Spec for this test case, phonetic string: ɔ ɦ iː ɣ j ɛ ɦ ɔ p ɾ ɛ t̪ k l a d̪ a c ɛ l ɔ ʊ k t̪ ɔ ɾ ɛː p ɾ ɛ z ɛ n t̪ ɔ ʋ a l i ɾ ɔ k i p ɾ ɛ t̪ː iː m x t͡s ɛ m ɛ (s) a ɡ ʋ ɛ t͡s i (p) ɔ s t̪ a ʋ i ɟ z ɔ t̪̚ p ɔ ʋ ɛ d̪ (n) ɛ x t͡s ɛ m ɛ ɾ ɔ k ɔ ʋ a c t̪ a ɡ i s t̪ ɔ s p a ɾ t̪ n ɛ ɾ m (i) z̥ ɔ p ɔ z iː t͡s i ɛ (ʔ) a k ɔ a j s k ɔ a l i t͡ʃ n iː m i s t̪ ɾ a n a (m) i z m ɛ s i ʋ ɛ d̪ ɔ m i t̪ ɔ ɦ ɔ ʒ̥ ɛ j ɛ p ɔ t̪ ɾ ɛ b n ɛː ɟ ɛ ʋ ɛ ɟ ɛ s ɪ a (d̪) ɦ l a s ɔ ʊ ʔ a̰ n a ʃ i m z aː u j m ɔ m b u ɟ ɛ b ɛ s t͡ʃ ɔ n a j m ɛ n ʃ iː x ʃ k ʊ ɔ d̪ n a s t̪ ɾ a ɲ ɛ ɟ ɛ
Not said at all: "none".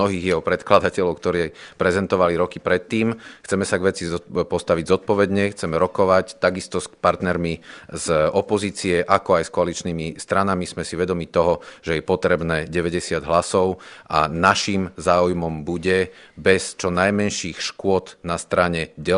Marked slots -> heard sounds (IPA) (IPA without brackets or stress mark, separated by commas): s, p, ɲ, i, ʔ, m, d̪